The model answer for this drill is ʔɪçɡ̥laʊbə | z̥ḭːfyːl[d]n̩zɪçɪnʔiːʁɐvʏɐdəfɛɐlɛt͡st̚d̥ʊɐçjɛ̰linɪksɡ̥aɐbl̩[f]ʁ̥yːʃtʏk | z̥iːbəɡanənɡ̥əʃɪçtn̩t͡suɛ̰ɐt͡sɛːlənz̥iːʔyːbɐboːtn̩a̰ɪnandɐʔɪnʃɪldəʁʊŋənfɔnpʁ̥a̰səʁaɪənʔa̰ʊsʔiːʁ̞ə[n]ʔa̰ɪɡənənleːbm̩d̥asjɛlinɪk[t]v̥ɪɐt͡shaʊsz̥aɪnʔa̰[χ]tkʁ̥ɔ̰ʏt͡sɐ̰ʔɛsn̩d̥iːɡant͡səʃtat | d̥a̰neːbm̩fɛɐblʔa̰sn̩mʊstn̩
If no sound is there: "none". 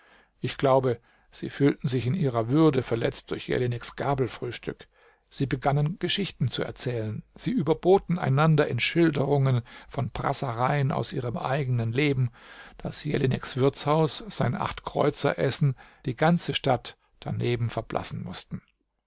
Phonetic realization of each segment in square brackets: t, f, m, s, χ

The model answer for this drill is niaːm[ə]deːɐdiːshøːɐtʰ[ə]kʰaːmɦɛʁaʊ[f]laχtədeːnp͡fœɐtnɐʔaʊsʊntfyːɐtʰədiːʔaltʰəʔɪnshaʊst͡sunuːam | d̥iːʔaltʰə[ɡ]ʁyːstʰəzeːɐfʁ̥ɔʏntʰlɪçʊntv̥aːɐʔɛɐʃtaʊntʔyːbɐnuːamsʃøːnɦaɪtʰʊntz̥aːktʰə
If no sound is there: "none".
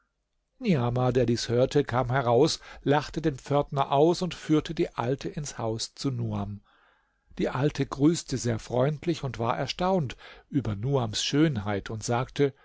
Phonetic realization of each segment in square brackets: a, ə, s, ɡ

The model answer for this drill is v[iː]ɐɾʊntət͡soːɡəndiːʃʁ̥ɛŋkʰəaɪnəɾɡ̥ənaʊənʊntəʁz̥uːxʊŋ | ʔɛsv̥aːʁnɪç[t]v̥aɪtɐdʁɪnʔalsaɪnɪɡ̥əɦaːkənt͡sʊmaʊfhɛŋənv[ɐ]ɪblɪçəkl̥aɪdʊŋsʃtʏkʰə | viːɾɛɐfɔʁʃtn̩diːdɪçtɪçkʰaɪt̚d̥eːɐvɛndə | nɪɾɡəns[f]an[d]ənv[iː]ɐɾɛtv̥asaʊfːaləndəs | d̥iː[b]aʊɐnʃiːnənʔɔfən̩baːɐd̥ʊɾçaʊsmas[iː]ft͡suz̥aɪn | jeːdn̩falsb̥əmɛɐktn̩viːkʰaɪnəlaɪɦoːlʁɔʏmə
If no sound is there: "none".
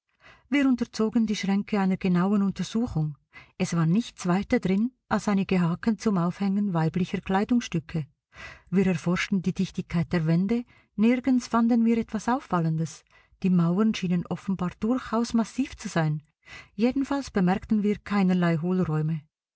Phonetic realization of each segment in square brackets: iː, t͡s, a, f, d, iː, m, iː

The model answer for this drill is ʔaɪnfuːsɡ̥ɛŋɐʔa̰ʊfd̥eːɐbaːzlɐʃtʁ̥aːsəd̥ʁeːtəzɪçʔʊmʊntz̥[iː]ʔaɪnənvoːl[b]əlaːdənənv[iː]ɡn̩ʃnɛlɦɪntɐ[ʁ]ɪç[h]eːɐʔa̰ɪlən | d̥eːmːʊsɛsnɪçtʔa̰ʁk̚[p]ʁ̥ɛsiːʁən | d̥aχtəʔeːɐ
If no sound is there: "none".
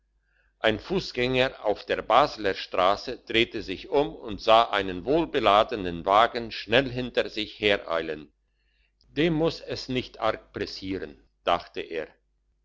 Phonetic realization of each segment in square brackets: aː, b, aː, z, h, p

